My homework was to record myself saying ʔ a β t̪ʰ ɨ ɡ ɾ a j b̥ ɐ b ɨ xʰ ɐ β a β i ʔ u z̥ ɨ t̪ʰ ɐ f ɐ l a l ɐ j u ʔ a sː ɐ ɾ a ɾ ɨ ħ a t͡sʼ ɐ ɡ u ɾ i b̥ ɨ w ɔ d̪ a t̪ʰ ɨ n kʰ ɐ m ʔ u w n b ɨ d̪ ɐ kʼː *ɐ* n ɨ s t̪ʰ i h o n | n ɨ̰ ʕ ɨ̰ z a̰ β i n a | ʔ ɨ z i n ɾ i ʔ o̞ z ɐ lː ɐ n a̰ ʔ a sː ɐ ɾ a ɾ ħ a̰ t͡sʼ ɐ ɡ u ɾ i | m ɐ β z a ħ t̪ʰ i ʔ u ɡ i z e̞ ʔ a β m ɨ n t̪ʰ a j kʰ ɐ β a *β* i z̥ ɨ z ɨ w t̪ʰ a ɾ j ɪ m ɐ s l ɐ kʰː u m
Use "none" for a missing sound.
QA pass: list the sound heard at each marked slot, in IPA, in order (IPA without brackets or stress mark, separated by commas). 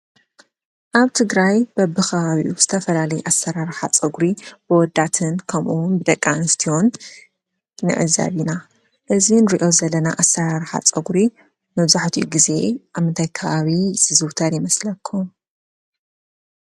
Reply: a, β